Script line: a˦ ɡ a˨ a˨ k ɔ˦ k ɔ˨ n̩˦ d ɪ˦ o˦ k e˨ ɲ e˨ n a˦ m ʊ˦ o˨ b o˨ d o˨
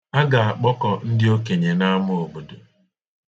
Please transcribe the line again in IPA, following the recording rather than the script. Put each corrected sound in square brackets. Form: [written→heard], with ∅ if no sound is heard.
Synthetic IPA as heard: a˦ ɡ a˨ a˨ [k→k͡p] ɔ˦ k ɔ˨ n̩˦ d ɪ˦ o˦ k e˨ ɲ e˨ n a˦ m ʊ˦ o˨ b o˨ d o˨